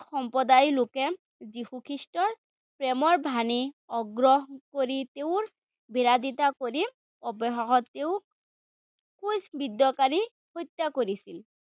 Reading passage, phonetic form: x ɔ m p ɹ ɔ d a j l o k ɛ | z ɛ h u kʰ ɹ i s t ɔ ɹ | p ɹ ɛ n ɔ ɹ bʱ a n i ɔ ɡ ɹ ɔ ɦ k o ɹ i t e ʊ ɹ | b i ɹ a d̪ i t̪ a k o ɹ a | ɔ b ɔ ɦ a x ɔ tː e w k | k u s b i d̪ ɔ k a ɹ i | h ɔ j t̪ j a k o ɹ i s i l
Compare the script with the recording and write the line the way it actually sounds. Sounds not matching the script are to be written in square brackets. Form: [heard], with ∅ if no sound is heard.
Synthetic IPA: x ɔ m p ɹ ɔ d a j l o k ɛ | z [i] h u kʰ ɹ i s t ɔ ɹ | p ɹ ɛ [m] ɔ ɹ bʱ a n i ɔ ɡ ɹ ɔ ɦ k o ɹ i t e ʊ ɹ | b i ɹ a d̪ i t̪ a k o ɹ [i] | ɔ b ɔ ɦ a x ɔ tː e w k | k u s b i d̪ ɔ k a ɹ i | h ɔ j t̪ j a k o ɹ i s i l